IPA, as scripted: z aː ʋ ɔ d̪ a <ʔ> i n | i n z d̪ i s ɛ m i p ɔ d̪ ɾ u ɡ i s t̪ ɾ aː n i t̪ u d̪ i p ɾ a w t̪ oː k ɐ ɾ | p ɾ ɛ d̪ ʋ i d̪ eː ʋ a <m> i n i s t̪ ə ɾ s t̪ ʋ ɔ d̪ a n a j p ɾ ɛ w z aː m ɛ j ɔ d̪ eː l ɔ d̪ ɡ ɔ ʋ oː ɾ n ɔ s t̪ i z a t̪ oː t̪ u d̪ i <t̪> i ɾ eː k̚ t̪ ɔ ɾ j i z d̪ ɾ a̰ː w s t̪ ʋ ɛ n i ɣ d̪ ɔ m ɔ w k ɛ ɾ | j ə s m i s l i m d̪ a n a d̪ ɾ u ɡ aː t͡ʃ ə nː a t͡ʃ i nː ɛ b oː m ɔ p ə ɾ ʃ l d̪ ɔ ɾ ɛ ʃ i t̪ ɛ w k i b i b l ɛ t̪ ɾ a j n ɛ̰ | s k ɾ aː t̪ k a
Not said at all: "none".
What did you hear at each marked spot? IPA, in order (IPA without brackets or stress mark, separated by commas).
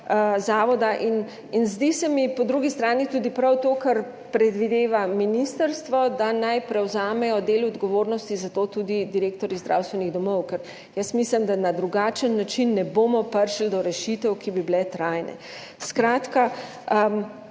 ʔ, m, d̪